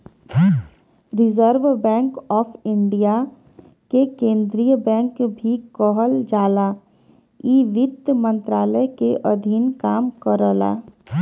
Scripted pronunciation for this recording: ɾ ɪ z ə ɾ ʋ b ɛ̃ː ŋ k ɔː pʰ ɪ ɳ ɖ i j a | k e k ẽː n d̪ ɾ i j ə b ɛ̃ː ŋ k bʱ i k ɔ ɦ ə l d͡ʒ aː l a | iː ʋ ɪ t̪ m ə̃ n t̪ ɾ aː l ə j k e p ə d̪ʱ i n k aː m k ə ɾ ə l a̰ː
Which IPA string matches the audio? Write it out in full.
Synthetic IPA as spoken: ɾ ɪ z ə ɾ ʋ b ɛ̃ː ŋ k ɔː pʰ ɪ ɳ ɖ i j a | k e k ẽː n d̪ ɾ i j ə b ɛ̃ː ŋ k bʱ i k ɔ ɦ ə l d͡ʒ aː l a | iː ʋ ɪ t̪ m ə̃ n t̪ ɾ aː l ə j k e ʔ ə d̪ʱ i n k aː m k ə ɾ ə l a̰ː